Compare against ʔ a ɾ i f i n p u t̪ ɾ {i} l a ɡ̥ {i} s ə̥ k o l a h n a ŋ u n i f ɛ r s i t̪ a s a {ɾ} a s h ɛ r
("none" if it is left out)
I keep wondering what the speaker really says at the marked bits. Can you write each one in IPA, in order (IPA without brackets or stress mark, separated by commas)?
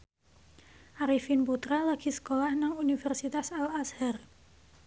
a, i, l